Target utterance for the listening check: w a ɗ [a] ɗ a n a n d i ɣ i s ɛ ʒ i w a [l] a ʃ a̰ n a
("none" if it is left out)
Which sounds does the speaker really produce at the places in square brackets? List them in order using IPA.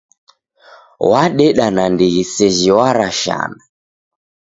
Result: ɛ, ɾ

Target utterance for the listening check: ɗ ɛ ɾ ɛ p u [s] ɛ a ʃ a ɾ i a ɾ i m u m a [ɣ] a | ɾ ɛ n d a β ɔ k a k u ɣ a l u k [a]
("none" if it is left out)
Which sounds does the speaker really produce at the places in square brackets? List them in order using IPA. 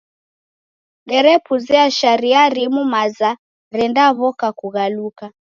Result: z, z, a

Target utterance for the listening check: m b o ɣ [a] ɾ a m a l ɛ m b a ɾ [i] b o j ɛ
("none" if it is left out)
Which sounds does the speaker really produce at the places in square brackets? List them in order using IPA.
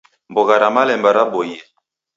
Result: a, a

